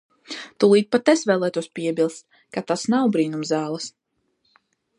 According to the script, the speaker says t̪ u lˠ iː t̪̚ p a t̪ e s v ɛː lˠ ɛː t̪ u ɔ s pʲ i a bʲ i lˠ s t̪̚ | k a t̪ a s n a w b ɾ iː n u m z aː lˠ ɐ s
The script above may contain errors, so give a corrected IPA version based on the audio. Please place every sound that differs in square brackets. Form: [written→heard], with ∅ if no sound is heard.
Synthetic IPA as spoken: t̪ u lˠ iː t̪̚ p a t̪ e s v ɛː lˠ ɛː t̪ u ɔ s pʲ i [a→ɛ] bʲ i lˠ s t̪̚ | k a t̪ a s n a w b ɾ iː n u m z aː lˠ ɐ s